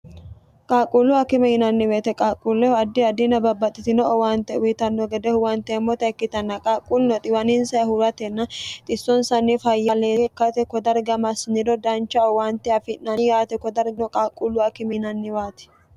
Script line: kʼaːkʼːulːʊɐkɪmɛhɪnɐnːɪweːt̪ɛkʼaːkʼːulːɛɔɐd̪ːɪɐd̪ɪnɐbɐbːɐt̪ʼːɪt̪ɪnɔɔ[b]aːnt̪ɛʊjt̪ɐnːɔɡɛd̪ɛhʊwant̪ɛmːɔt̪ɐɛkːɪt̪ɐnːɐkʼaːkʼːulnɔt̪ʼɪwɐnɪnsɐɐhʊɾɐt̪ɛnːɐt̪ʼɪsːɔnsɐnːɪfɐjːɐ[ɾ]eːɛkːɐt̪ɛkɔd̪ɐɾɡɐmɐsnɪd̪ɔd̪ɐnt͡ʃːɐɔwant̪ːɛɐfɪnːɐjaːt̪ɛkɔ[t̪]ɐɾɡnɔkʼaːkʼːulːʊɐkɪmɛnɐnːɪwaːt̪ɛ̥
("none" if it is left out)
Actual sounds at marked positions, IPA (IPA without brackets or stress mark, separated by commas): w, l, d̪